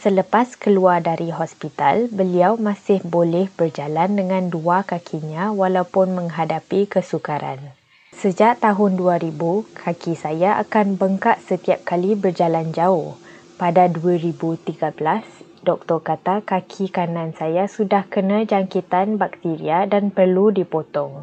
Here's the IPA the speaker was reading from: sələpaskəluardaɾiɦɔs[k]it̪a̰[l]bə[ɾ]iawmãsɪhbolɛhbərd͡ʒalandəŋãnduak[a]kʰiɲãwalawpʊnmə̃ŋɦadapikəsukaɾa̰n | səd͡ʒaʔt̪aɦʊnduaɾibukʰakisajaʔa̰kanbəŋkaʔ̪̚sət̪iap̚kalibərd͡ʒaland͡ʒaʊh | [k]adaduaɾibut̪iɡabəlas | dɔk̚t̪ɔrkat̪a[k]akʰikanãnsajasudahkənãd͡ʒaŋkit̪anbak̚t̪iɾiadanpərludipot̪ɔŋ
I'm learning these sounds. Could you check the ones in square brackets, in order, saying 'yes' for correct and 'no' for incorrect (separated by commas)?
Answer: no, yes, no, yes, no, yes